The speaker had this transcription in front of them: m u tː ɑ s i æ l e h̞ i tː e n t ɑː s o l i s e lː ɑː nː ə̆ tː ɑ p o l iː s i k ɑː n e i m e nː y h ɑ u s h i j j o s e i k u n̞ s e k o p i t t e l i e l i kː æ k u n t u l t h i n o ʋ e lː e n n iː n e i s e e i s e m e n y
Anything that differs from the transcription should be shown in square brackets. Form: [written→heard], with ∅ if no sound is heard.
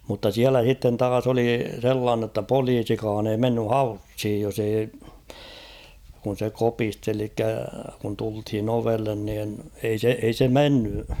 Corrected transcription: m u tː ɑ s i æ l [e→æ] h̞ i tː e n t ɑː s o l i s e lː ɑː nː ə̆ tː ɑ p o l iː s i k ɑː n e i m e nː y h ɑ u s h i j j o s e i k u n̞ s e k o p i [t→s] t e l i e l i kː æ k u n t u l t h i n o ʋ e lː e n n iː n e i s e e i s e m e [n→nː] y